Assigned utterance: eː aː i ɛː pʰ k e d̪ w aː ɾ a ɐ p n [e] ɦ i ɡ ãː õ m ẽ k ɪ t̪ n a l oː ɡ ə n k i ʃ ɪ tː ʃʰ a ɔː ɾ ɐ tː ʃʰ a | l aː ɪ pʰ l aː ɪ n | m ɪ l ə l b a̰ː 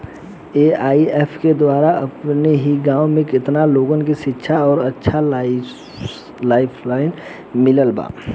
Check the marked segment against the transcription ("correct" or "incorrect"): correct